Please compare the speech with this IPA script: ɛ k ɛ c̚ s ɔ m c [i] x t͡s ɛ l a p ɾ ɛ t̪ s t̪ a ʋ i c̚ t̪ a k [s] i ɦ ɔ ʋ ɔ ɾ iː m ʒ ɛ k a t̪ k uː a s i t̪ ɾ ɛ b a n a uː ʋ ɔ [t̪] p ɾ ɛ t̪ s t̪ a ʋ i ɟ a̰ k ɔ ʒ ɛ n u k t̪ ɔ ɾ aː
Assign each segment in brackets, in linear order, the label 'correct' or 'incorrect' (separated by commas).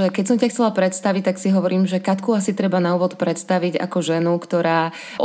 incorrect, correct, correct